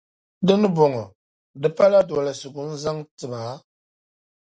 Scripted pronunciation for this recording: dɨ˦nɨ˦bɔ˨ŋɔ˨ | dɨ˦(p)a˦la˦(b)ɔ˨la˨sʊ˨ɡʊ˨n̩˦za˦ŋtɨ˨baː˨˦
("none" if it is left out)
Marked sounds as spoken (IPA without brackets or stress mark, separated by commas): p, d